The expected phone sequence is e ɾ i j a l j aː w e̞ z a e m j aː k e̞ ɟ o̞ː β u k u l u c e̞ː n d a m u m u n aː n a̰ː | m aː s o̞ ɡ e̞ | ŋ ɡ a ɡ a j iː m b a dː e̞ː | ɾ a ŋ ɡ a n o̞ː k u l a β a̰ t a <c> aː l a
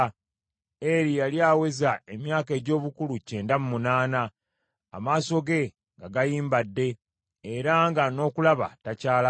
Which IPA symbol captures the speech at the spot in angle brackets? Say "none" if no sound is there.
c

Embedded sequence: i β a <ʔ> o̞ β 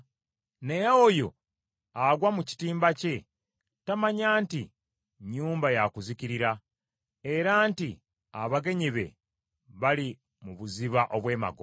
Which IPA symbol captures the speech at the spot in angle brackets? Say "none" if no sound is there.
ʔ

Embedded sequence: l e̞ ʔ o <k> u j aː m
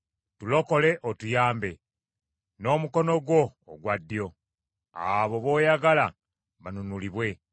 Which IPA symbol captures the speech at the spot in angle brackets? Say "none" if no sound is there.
t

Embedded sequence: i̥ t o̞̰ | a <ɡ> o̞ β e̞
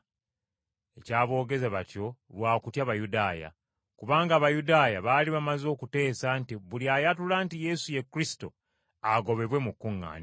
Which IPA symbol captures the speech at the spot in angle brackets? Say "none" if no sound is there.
ɡ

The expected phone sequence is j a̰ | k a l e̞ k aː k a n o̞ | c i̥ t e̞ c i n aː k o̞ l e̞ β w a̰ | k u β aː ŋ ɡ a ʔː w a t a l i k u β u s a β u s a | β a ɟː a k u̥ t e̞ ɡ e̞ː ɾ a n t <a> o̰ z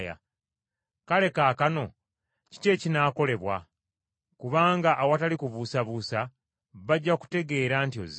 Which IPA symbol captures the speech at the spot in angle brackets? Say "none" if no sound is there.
i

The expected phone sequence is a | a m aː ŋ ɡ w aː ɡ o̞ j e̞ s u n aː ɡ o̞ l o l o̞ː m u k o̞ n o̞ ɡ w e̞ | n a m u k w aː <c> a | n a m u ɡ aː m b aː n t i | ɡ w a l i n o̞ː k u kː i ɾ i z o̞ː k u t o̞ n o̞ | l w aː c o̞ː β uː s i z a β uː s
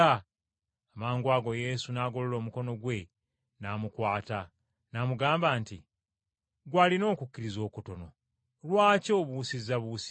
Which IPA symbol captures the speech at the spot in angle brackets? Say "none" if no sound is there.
t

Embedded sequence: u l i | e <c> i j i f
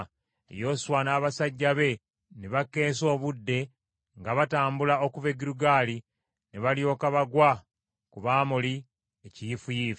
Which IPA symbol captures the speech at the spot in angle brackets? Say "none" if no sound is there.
c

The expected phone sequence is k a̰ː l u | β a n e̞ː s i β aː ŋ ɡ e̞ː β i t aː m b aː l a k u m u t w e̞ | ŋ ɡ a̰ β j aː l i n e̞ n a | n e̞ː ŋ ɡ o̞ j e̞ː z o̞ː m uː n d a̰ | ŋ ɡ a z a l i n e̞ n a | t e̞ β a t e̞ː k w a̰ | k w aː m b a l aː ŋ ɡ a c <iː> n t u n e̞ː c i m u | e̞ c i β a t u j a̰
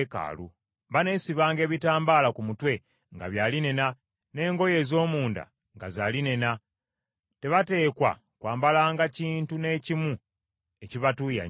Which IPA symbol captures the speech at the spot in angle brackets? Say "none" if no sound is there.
iː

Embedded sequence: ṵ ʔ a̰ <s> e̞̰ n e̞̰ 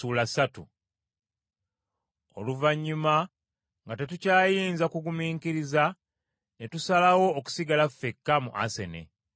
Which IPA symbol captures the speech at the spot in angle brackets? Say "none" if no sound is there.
s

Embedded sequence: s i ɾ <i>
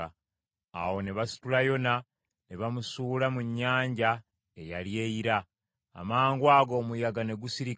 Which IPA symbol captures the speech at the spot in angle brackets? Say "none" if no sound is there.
i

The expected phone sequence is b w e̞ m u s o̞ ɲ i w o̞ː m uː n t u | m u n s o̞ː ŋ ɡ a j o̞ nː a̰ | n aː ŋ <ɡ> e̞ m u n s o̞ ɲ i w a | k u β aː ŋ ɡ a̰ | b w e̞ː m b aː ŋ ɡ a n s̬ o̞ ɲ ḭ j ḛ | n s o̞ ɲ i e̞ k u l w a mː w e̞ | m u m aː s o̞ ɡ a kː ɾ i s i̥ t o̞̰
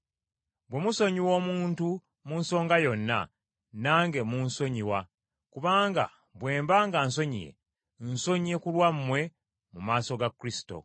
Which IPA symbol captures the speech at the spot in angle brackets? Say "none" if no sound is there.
ɡ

